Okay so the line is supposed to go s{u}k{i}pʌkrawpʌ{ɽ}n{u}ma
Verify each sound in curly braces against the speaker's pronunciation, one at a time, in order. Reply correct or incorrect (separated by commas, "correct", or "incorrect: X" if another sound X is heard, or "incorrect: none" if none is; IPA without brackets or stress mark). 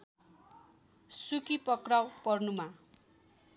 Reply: correct, correct, incorrect: r, correct